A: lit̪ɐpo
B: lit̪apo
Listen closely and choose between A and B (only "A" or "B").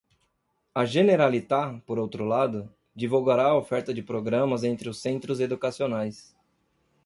B